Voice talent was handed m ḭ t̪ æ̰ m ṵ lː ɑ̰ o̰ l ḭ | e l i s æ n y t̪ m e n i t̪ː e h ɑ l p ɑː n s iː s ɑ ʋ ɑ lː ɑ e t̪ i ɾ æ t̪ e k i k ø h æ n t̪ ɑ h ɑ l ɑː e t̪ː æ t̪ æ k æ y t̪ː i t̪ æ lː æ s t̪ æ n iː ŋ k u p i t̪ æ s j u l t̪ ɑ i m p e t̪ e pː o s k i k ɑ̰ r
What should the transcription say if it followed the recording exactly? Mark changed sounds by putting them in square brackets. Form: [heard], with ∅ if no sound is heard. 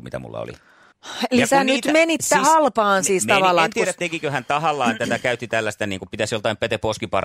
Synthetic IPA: m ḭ t̪ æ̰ m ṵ lː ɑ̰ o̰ l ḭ | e l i s æ n y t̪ m e n i t̪ː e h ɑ l p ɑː n s iː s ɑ ʋ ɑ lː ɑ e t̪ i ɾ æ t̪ e k i k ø h æ n t̪ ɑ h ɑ [lː] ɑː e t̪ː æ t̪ æ k æ y t̪ː i t̪ æ lː æ s t̪ æ n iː ŋ k u p i t̪ æ s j [o] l t̪ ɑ i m p e t̪ e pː o s k i [p] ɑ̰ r